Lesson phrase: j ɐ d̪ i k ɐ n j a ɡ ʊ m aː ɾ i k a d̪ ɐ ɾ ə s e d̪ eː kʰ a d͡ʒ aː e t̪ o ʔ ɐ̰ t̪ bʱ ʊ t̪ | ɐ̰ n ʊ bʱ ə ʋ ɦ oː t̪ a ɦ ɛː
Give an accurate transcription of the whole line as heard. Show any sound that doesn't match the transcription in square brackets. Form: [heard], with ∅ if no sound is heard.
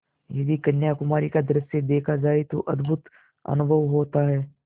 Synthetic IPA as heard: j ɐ d̪ i k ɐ n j a [k] ʊ m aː ɾ i k a d̪ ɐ ɾ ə s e d̪ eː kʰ a d͡ʒ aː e t̪ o ʔ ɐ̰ [d̪] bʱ ʊ t̪ | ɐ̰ n ʊ bʱ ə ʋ ɦ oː t̪ a ɦ ɛː